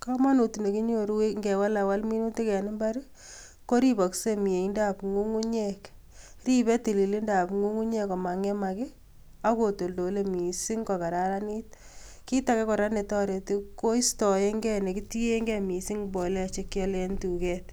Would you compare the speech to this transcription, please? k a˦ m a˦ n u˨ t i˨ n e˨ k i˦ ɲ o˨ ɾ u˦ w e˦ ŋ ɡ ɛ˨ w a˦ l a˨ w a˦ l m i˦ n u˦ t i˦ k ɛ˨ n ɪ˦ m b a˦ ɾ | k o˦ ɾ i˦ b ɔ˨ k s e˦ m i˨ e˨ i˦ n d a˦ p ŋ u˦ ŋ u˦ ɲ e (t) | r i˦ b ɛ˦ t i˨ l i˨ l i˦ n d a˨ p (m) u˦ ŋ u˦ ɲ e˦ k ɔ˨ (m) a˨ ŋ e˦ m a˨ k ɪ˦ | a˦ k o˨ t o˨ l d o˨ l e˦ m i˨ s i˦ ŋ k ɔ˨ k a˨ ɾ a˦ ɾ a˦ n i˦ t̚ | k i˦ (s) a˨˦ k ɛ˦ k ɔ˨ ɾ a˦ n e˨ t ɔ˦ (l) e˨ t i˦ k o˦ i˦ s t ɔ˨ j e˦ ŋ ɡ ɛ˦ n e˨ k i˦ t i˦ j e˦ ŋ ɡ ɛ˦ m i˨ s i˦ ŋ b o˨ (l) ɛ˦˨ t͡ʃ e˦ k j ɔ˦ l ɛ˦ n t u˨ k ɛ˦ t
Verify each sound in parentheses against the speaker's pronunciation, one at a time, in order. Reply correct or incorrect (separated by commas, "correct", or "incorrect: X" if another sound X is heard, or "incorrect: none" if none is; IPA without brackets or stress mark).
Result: incorrect: k, incorrect: ŋ, correct, incorrect: t, incorrect: ɾ, correct